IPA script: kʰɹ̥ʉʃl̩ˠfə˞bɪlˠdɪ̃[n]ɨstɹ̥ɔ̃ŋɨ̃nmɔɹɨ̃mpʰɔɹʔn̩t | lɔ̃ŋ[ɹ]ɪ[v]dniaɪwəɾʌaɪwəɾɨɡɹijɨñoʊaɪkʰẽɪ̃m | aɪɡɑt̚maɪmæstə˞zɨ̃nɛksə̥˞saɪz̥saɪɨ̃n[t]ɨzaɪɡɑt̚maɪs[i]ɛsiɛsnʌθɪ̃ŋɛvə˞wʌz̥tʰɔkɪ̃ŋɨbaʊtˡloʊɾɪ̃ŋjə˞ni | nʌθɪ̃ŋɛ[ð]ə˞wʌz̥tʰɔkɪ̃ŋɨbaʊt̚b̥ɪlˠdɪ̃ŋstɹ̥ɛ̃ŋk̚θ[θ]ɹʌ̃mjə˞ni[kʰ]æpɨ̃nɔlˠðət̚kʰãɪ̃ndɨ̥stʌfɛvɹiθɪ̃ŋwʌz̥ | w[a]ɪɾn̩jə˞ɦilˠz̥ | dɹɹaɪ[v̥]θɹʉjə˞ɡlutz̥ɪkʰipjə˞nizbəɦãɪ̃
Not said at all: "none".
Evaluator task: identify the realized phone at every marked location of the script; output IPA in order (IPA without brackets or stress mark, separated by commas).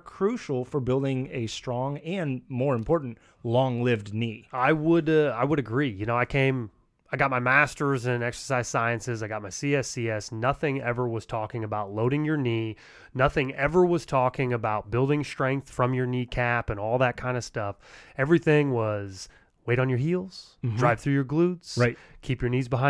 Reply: ŋ, l, v, s, i, v, f, kʰ, e, v̥